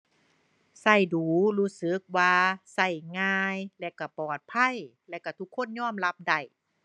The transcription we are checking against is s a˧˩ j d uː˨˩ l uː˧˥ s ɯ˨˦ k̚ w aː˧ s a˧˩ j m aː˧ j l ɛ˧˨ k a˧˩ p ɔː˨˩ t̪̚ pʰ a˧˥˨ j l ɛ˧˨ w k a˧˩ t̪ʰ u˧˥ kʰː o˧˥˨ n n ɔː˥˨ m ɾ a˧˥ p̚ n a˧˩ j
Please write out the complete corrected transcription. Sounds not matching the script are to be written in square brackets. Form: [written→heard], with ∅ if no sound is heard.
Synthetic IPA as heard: s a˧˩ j d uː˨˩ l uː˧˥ s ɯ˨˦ k̚ w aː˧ s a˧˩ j [m→ŋ] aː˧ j l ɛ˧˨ k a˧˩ p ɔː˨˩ t̪̚ pʰ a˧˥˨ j l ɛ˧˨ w k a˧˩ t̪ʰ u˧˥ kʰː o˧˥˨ n [n→ɲ] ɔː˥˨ m [ɾ→l] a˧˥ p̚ [n→d] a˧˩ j